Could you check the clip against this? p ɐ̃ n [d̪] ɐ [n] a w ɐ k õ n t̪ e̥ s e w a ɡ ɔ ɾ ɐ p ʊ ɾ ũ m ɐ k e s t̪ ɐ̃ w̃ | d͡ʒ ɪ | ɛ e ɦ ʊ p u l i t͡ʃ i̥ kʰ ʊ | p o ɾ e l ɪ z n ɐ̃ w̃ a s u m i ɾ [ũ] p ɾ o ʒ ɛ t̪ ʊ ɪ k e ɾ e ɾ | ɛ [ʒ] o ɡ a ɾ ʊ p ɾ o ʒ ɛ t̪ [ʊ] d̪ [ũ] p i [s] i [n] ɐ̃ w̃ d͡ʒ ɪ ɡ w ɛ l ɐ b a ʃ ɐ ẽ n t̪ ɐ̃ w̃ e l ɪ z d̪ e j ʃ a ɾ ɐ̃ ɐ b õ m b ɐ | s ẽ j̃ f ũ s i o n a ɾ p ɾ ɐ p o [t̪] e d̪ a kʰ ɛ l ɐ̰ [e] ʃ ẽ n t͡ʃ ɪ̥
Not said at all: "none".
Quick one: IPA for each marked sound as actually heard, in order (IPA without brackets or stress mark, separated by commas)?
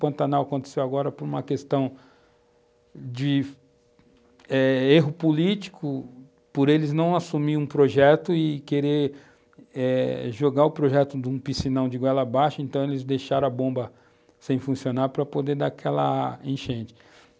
t̪, n, ũ, ʒ, ʊ, ũ, s, n, d̪, ẽ